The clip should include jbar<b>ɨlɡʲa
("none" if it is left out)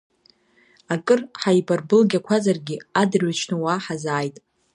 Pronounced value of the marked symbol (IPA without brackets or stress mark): b